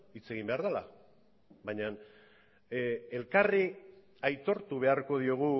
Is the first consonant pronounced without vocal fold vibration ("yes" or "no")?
yes